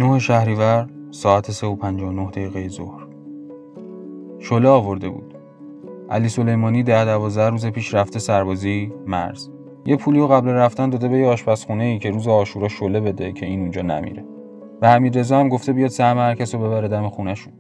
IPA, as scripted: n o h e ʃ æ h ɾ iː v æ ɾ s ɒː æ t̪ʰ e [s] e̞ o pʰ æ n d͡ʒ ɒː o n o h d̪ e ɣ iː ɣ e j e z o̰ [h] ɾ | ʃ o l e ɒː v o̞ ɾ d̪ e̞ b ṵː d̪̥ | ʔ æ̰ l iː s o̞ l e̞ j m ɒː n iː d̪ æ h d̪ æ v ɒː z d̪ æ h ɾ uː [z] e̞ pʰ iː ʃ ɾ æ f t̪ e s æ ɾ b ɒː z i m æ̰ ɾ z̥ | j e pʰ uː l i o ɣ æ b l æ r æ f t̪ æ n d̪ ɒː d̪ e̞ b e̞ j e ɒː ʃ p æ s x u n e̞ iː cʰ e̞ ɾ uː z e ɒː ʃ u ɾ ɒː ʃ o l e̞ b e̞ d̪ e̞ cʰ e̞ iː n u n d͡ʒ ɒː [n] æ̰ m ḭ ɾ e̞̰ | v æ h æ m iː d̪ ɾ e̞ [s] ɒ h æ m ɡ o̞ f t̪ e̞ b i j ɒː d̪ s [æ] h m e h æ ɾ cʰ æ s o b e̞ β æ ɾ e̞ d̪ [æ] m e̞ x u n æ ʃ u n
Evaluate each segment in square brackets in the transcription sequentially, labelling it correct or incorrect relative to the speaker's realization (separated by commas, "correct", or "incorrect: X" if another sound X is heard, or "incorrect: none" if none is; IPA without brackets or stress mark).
correct, correct, correct, correct, incorrect: z, correct, correct